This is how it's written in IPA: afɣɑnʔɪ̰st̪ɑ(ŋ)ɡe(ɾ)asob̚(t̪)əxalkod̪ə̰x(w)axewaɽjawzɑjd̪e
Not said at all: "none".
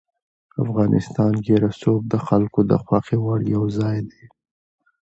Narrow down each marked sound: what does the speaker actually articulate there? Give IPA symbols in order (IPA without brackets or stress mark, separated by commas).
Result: n, ɾ, d̪, w